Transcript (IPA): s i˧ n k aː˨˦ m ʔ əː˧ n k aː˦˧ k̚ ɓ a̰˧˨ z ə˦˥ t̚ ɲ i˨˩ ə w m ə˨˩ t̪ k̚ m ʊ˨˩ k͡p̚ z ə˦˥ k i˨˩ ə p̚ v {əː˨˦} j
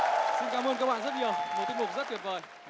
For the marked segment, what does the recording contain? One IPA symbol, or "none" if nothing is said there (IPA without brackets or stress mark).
əː˨˩